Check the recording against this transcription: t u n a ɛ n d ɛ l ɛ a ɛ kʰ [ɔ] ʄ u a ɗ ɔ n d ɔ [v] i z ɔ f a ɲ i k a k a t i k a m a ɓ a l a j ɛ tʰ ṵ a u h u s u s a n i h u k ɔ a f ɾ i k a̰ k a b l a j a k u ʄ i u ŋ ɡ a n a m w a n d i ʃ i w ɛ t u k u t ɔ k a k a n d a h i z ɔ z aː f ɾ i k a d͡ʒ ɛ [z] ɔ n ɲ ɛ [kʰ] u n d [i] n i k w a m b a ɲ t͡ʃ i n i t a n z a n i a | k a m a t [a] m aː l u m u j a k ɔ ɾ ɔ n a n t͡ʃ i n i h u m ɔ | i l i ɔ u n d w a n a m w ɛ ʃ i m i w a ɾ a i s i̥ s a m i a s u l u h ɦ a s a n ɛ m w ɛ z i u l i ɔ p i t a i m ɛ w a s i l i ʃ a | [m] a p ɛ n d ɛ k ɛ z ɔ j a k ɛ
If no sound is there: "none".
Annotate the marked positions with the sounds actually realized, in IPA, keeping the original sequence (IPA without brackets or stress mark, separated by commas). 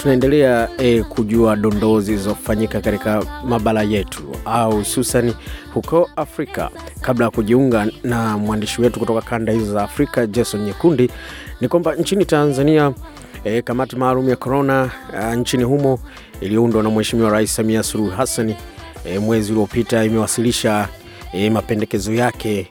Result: u, z, s, k, i, i, m